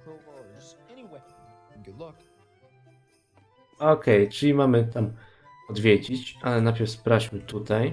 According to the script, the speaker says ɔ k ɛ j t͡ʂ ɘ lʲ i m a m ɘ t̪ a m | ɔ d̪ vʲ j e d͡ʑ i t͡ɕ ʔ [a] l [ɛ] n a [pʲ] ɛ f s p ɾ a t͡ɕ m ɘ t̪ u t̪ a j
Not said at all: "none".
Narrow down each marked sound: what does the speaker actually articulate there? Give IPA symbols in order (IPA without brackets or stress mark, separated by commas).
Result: a, ɛ, pʲ